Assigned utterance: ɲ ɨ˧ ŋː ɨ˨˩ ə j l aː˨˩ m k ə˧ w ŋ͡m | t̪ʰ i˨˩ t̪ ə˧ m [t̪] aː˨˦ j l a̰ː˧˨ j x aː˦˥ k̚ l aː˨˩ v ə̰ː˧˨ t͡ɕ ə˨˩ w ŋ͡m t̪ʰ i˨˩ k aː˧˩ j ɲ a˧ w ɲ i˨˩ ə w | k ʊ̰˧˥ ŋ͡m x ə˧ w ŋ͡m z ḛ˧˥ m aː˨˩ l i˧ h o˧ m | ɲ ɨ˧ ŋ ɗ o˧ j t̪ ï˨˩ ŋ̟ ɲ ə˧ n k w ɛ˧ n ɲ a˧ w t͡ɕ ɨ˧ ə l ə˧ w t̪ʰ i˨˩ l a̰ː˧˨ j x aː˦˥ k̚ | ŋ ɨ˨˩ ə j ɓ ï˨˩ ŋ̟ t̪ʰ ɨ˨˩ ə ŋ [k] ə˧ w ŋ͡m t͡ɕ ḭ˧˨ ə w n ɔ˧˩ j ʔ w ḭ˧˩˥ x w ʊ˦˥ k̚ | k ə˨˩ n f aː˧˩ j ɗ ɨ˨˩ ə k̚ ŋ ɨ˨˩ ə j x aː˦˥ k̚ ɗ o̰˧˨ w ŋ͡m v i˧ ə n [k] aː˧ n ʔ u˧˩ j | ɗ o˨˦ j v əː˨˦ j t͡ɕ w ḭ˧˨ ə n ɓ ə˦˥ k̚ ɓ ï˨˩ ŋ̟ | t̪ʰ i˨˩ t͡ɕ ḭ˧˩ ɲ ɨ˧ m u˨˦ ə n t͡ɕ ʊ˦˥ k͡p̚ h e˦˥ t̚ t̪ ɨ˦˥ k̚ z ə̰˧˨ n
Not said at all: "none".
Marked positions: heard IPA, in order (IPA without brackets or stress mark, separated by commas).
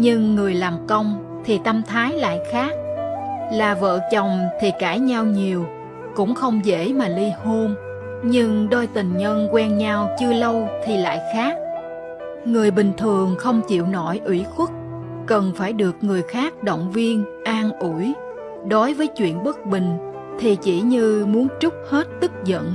t̪ʰ, x, ʔ